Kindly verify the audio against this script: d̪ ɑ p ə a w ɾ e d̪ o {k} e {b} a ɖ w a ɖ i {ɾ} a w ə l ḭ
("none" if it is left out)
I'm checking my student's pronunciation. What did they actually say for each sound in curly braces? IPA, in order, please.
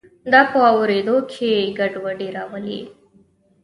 kʰ, ɡ, ɾ

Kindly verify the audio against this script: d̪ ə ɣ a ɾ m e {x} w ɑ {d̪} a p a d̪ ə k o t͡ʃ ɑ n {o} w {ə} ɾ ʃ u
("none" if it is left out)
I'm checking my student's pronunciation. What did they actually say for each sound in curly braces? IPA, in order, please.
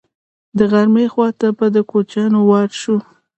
x, t̪, o, ɑ

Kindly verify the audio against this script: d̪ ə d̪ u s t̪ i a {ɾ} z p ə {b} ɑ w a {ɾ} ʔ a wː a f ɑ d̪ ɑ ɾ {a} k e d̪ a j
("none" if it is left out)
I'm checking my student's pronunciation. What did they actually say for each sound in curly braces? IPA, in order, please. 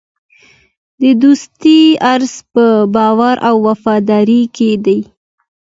ɾ, b, ɾ, i

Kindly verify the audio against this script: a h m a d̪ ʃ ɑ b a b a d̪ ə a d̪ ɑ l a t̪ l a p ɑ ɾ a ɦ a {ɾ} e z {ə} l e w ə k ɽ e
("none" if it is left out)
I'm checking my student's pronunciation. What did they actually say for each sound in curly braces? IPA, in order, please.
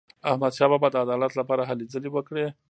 l, ə

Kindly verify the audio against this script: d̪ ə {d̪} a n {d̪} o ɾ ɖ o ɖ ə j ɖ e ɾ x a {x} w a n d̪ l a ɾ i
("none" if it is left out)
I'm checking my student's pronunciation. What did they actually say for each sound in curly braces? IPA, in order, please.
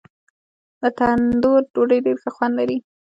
t̪, d̪, x

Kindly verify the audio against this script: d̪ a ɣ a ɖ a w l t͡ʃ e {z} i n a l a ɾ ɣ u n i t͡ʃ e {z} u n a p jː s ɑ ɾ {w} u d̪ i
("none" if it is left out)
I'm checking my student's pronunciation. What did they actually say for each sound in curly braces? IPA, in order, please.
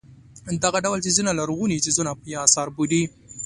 z, z, b

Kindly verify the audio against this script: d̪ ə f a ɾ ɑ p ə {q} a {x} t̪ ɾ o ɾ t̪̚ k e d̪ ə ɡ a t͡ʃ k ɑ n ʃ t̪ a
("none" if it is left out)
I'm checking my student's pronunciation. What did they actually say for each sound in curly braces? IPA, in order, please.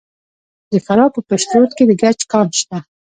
p, ʃ

